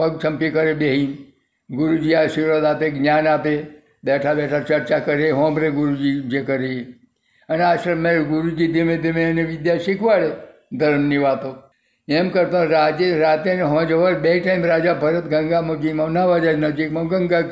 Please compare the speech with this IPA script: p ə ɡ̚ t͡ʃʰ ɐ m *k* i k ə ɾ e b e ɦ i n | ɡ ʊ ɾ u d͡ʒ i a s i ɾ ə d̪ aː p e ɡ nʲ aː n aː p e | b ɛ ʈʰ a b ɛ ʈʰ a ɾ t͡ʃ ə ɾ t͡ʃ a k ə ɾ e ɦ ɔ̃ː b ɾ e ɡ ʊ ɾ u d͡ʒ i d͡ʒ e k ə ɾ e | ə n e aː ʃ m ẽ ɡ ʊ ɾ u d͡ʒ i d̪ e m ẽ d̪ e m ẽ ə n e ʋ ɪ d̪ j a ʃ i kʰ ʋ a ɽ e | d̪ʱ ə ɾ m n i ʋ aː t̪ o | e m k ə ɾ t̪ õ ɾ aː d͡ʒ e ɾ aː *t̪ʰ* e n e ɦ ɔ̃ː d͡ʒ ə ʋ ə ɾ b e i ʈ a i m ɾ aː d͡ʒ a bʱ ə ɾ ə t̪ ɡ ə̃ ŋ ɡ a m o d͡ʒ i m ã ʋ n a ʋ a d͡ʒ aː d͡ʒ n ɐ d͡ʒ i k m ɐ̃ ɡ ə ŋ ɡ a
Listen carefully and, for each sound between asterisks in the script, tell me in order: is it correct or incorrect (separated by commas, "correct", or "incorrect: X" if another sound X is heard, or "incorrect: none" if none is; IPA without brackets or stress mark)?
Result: incorrect: p, incorrect: t̪